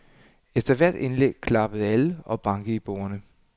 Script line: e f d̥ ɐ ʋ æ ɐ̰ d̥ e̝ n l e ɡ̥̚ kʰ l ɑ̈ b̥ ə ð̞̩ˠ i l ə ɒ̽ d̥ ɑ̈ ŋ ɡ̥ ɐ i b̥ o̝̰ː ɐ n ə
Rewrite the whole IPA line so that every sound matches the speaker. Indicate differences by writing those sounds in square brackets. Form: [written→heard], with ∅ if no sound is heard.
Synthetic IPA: e f d̥ ɐ ʋ æ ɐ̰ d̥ e̝ n l e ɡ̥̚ kʰ l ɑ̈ b̥ ə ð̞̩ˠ [i→æ] l ə ɒ̽ [d̥→b̥] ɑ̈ ŋ ɡ̥ [ɐ→ə] i b̥ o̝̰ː ɐ n ə